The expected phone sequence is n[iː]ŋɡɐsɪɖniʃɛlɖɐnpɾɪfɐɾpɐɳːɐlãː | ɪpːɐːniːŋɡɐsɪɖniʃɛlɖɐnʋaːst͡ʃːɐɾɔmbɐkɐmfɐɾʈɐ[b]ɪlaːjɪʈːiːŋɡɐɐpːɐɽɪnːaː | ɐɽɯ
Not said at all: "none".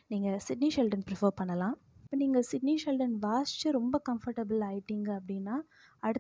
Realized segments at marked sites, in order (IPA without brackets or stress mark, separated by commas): iː, b